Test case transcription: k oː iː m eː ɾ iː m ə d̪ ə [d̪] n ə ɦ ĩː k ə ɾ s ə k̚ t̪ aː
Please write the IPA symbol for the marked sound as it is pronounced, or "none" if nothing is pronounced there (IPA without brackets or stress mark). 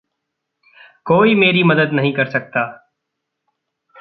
d̪